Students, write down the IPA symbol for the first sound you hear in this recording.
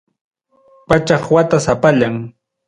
p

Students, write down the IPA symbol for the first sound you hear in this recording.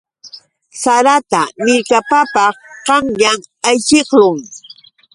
s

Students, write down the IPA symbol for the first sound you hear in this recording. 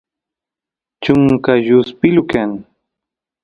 t͡ʃ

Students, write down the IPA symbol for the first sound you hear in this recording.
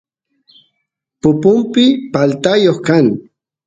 p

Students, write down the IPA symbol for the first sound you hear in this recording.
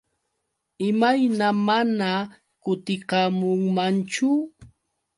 ɪ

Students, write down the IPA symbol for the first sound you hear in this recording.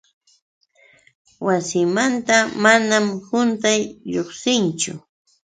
w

